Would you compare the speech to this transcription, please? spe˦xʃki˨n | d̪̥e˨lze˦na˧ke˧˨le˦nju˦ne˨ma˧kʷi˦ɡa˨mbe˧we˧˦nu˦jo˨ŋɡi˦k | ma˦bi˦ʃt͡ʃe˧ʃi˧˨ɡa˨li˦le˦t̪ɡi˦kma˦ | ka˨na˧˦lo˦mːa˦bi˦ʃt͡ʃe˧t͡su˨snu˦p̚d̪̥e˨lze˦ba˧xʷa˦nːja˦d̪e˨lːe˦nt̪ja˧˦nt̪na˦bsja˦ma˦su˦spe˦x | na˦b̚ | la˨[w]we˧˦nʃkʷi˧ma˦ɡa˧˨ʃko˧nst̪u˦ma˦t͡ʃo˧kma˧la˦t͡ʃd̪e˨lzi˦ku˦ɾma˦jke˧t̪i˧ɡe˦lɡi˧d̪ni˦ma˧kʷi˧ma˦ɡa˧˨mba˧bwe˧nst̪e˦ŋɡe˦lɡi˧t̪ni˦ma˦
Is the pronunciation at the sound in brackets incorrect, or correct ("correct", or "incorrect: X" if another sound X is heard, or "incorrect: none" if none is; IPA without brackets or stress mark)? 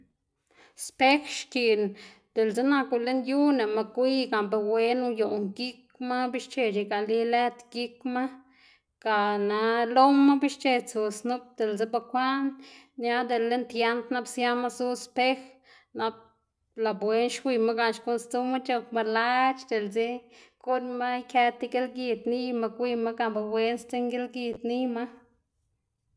incorrect: b